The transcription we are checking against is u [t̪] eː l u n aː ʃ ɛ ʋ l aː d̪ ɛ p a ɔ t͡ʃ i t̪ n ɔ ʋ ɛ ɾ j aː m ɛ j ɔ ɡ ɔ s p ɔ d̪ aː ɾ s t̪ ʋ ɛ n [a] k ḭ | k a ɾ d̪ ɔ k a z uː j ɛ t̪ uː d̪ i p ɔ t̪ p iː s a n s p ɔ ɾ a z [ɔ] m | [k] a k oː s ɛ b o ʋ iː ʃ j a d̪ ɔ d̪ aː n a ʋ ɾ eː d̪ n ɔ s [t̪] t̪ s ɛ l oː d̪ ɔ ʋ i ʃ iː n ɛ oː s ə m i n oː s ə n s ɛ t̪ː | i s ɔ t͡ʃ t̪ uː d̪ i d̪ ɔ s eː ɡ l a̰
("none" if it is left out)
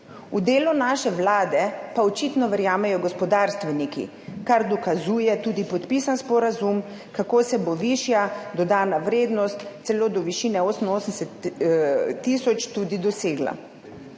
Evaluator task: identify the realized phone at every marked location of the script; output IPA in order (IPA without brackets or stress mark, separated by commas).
d̪, i, u, k, t̪